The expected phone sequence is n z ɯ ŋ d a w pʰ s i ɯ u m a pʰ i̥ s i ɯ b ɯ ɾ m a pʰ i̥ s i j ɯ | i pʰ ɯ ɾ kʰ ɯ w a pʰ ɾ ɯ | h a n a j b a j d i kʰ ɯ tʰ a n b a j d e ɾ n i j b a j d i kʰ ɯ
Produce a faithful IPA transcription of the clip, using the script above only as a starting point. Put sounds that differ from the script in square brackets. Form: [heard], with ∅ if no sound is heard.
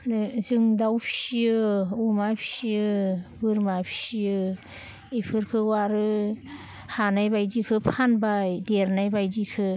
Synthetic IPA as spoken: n z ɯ ŋ d a w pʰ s i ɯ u m a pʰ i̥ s i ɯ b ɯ ɾ m a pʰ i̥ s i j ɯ | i pʰ ɯ ɾ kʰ ɯ w a [∅] ɾ ɯ | h a n a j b a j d i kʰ ɯ [pʰ] a n b a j d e ɾ n [a] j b a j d i kʰ ɯ

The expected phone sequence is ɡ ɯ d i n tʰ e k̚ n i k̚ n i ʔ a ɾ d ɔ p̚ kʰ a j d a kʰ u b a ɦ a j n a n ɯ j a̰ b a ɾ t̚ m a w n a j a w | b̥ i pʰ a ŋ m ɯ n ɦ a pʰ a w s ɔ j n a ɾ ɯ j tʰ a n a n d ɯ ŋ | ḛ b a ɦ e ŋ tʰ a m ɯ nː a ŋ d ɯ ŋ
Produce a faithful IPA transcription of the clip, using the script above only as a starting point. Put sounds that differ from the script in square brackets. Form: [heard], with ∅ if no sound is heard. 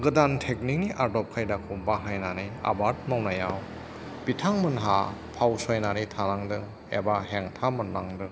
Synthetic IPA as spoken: ɡ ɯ d [a] n tʰ e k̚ n i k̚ n i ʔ a ɾ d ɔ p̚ kʰ a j d a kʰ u b a ɦ a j n a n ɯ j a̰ b a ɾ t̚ m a w n a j a w | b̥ i [tʰ] a ŋ m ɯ n ɦ a pʰ a w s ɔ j n a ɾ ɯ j tʰ a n a [ŋ] d ɯ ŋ | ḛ b a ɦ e ŋ tʰ a m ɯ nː a ŋ d ɯ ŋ

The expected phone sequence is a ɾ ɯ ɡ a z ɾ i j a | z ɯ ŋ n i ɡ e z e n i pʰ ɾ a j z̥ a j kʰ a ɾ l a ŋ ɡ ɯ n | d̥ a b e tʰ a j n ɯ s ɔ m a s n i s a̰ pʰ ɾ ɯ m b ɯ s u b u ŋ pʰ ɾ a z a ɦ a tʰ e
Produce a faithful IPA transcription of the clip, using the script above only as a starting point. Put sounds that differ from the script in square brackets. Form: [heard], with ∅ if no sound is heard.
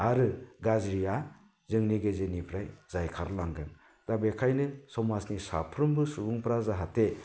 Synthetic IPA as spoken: a ɾ ɯ ɡ a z ɾ i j a | z ɯ ŋ n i ɡ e z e n i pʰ ɾ a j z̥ a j kʰ a ɾ l a ŋ ɡ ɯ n | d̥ a b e [kʰ] a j n ɯ s ɔ m a s n i s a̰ pʰ ɾ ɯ m b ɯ s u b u ŋ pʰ ɾ a z a ɦ a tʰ e

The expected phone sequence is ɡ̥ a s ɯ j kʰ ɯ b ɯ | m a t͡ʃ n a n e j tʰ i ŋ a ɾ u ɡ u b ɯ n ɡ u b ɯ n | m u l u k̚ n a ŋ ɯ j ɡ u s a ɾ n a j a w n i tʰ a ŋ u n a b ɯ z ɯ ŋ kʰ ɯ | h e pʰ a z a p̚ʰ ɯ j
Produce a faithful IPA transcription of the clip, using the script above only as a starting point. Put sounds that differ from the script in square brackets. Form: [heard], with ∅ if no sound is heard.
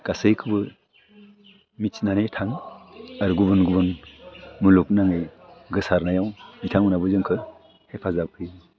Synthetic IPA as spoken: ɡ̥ a s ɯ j kʰ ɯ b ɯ | m [i] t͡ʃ n a n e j tʰ [a] ŋ a ɾ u ɡ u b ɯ n ɡ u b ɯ n | m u l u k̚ n a ŋ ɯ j ɡ [ɯ] s a ɾ n a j a w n i tʰ a ŋ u n a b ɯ z ɯ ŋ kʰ ɯ | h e pʰ a z a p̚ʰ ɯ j

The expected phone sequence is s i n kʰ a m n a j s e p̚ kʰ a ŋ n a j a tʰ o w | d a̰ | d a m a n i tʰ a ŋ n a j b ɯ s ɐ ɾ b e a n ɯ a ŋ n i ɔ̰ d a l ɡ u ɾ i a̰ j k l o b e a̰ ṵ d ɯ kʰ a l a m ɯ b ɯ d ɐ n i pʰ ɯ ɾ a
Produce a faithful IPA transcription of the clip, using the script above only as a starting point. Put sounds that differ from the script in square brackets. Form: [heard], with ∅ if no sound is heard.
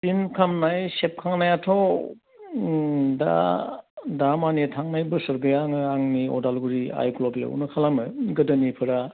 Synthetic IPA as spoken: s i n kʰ a m n a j s e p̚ kʰ a ŋ n a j a tʰ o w | d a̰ | d a m a n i tʰ a ŋ n a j b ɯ s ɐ ɾ b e a [ŋ] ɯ a ŋ n i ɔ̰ d a l ɡ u ɾ i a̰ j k l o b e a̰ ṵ [n] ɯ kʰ a l a m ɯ [ɡ] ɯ d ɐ n i pʰ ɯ ɾ a

